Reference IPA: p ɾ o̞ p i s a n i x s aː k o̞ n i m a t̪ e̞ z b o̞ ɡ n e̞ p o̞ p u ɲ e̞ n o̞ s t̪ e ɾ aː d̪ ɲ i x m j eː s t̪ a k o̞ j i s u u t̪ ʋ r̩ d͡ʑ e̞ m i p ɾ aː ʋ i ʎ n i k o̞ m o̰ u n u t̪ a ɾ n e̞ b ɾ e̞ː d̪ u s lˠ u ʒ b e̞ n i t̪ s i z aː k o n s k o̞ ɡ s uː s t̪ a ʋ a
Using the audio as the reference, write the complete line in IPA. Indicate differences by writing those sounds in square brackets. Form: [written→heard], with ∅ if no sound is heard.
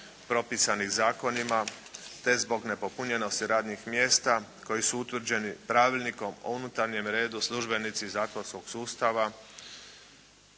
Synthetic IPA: p ɾ o̞ p i s a n i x [s→z] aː k o̞ n i m a t̪ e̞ z b o̞ ɡ n e̞ p o̞ p u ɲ e̞ n o̞ s t̪ [e→i] ɾ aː d̪ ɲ i x m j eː s t̪ a k o̞ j i s u u t̪ ʋ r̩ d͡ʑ e̞ [m→n] i p ɾ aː ʋ i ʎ n i k o̞ m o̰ u n u t̪ a ɾ [n→ɲ] e̞ [b→m] ɾ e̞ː d̪ u s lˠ u ʒ b e̞ n i t̪ s i z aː k o n s k o̞ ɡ s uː s t̪ a ʋ a

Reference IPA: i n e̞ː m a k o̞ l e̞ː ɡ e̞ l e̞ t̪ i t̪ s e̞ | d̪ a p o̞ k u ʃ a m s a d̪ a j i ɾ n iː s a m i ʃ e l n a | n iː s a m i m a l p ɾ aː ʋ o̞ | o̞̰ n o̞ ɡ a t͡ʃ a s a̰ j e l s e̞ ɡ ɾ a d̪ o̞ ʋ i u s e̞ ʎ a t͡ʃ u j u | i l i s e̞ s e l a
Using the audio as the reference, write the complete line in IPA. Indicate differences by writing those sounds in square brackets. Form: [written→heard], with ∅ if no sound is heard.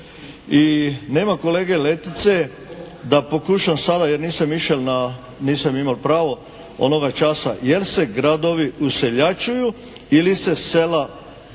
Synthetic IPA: i n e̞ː m a k o̞ l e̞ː ɡ e̞ l e̞ t̪ i t̪ s e̞ | d̪ a p o̞ k u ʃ a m s a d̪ a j [i→e] ɾ n iː s a m i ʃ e l n a | n iː s a m i m a l p ɾ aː ʋ o̞ | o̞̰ n o̞ ɡ a t͡ʃ a s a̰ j e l s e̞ ɡ ɾ a d̪ o̞ ʋ i u s e̞ ʎ a t͡ʃ u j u | i l i s e̞ s e l a

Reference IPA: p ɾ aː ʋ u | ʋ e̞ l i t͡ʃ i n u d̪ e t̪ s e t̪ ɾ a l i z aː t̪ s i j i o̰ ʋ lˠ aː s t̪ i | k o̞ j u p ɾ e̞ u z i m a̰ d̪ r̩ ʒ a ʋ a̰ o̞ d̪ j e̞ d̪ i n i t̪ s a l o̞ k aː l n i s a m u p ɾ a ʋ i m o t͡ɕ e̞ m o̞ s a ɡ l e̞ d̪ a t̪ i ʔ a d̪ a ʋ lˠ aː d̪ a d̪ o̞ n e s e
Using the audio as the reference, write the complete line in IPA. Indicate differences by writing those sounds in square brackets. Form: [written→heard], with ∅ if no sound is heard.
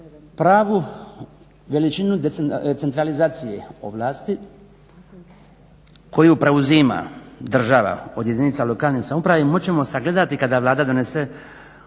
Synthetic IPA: p ɾ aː ʋ u | ʋ e̞ l i t͡ʃ i n u d̪ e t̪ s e t̪ ɾ a l i z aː t̪ s i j [i→e] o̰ ʋ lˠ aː s t̪ i | k o̞ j u p ɾ e̞ u z i m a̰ d̪ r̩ ʒ a ʋ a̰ o̞ d̪ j e̞ d̪ i n i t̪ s a l o̞ k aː l n i s a m u p ɾ a ʋ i m o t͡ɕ e̞ m o̞ s a ɡ l e̞ d̪ a t̪ i [ʔ→k] a d̪ a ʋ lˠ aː d̪ a d̪ o̞ n e s e

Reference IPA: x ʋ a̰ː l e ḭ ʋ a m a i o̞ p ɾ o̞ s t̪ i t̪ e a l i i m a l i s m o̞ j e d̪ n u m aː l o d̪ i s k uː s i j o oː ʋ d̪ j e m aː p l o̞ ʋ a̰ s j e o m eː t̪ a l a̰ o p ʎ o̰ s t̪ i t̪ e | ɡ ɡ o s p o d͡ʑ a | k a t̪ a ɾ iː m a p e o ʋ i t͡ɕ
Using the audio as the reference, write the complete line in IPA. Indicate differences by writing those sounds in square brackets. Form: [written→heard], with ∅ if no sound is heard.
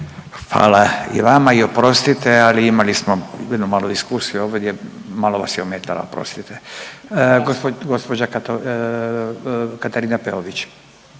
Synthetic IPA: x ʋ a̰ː l [e→a] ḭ ʋ a m a i o̞ p ɾ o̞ s t̪ i t̪ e a l i i m a l i s m o̞ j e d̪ n u m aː l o d̪ i s k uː s i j [o→u] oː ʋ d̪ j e m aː [p→∅] l o̞ ʋ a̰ s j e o m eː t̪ a l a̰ o p [ʎ→ɾ] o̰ s t̪ i t̪ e | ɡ ɡ o s p o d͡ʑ a | k a t̪ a ɾ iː [m→n] a p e o ʋ i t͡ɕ

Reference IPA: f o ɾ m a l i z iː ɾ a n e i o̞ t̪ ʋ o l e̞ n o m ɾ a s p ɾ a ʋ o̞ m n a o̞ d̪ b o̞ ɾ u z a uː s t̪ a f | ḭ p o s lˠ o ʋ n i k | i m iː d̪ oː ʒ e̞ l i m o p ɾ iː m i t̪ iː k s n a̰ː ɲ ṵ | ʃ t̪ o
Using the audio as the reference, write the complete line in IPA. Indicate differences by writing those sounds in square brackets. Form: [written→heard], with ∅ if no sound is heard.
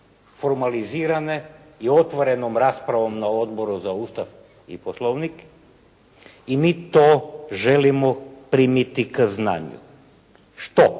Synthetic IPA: f o ɾ m a l i z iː ɾ a n e i o̞ t̪ ʋ o [l→ɾ] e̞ n o m ɾ a s p ɾ a ʋ o̞ m n a o̞ d̪ b o̞ ɾ u z a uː s t̪ a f | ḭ p o s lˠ o ʋ n i k | i m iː [d̪→t̪] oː ʒ e̞ l i m o p ɾ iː m i t̪ [iː→i] k [s→z] n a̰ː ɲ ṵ | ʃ t̪ o

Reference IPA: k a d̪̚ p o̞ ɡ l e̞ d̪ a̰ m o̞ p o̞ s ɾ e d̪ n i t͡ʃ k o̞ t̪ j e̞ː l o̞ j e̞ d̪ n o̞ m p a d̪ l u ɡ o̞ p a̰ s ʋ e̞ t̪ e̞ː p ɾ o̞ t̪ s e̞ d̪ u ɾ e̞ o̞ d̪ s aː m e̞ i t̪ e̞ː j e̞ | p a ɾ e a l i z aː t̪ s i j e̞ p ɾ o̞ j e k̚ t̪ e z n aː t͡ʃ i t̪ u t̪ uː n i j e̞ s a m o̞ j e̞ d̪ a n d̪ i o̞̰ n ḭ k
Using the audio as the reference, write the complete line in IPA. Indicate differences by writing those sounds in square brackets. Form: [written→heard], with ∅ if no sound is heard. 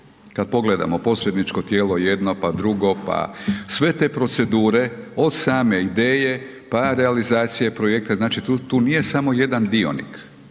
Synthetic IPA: k a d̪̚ p o̞ ɡ l e̞ d̪ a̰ m o̞ p o̞ s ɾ e d̪ n i t͡ʃ k o̞ t̪ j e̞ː l o̞ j e̞ d̪ n o̞ [m→∅] p a d̪ [l→ɾ] u ɡ o̞ p a̰ s ʋ e̞ t̪ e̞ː p ɾ o̞ t̪ s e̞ d̪ [u→uː] ɾ e̞ o̞ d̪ s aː m e̞ i [t̪→d̪] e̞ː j e̞ | p a ɾ e a l i z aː t̪ s i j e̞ p ɾ o̞ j e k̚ t̪ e z n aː t͡ʃ i t̪ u t̪ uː n i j e̞ s a m o̞ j e̞ d̪ a n d̪ i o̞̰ n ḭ k

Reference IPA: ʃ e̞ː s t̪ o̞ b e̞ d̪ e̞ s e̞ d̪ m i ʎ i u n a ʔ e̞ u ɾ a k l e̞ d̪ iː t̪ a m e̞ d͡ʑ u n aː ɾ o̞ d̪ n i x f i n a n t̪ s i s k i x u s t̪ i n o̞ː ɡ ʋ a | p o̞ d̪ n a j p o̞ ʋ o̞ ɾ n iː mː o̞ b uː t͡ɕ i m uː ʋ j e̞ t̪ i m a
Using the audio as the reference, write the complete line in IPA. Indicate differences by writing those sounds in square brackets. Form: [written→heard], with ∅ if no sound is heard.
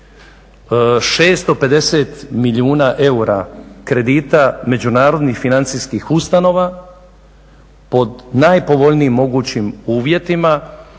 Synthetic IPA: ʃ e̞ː s t̪ o̞ [b→p] e̞ d̪ e̞ s e̞ [d̪→t̪] m i ʎ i [u→uː] n a ʔ e̞ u ɾ a k [l→ɾ] e̞ d̪ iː t̪ a m e̞ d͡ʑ u n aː ɾ o̞ d̪ n i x f i n a n t̪ s i s k i x u s t̪ [i→a] n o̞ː [ɡ→∅] ʋ a | p o̞ d̪ n a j p o̞ ʋ o̞ [ɾ→ʎ] n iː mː o̞ [b→ɡ] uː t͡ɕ i m uː ʋ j e̞ t̪ i m a

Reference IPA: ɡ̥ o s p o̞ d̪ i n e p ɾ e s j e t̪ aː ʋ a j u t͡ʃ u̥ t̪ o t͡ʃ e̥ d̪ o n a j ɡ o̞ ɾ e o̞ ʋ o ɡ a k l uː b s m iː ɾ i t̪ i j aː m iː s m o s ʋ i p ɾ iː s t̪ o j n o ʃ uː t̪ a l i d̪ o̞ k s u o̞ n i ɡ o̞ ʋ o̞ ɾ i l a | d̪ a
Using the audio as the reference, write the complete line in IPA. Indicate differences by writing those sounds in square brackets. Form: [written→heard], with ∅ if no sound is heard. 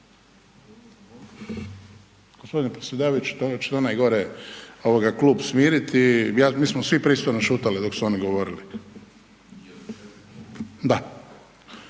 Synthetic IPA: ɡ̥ o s p o̞ d̪ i n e p ɾ e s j e [t̪→d̪] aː ʋ a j u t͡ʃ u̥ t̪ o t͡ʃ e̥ [d̪→t̪] o n a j ɡ o̞ ɾ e o̞ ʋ o ɡ a k l uː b s m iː ɾ i t̪ i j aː m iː s m o s ʋ i p ɾ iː s t̪ o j n o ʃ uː t̪ a l i d̪ o̞ k s u o̞ n i ɡ o̞ ʋ o̞ ɾ i l [a→i] | d̪ a

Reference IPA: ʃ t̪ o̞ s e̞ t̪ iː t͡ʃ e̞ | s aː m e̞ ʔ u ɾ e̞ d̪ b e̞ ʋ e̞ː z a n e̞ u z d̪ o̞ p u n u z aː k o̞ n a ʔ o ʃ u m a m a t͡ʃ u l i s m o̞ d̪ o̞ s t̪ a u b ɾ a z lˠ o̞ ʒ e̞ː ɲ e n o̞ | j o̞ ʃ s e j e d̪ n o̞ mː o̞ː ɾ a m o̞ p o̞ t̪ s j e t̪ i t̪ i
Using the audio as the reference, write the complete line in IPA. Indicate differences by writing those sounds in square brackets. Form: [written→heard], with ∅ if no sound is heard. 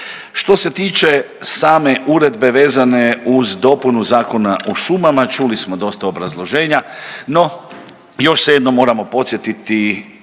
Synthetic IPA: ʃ t̪ o̞ s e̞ t̪ iː t͡ʃ e̞ | s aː m e̞ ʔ u ɾ e̞ d̪ b e̞ ʋ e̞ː z a n e̞ u z d̪ o̞ p u n u z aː k o̞ n a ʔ o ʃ u m a m a t͡ʃ u l i s m o̞ d̪ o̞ s t̪ a [u→o] b ɾ a z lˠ o̞ ʒ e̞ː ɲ [e→a] n o̞ | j o̞ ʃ s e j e d̪ n o̞ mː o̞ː ɾ a m o̞ p o̞ t̪ s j e t̪ i t̪ i

